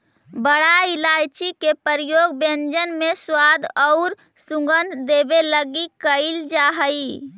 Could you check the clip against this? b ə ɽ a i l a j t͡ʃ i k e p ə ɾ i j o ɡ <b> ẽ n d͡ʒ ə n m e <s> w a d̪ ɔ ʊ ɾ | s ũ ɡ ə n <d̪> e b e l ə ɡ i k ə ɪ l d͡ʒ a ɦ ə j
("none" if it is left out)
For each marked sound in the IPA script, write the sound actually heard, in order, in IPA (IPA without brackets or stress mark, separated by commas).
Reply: b, s, d̪